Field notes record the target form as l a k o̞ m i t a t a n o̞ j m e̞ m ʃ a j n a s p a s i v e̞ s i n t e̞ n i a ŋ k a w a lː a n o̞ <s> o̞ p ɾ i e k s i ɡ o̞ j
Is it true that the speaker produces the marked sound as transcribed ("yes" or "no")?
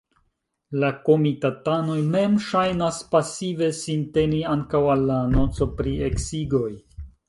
no